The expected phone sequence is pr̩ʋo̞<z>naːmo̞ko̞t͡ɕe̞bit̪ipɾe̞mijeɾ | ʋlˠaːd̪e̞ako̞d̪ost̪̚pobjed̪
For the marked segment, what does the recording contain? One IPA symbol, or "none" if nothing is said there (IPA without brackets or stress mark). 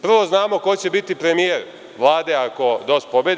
z